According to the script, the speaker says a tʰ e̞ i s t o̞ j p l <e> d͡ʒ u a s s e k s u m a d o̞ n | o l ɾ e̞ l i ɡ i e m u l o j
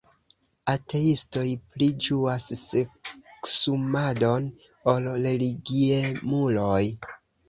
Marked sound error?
yes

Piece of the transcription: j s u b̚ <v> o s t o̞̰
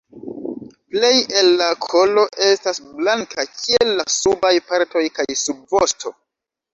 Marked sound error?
no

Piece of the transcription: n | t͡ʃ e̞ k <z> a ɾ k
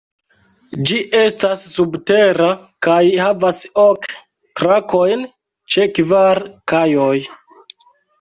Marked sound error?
yes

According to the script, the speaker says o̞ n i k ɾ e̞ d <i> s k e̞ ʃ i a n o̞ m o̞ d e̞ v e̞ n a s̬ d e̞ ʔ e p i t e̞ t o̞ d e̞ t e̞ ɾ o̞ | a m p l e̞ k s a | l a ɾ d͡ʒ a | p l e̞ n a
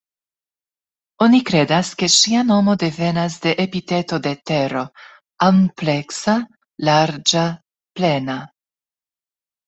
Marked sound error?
yes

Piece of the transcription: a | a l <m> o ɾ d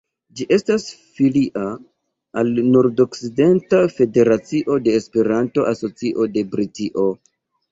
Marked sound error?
yes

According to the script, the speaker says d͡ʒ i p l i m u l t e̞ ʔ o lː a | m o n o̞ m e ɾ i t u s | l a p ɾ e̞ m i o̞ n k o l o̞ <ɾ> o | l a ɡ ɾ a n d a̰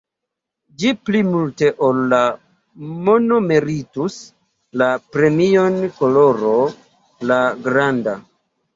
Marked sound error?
no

